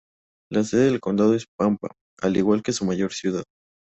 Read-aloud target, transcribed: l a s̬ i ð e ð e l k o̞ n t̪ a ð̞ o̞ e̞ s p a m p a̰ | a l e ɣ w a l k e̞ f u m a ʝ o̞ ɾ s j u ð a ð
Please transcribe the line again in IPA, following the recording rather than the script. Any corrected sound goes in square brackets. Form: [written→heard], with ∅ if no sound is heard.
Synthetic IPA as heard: l a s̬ [i→e] ð e ð e l k o̞ n [t̪→d̪] a ð̞ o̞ e̞ s p a m p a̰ | a l [e→i] ɣ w a l k e̞ [f→s] u m a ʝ o̞ ɾ s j u ð a ð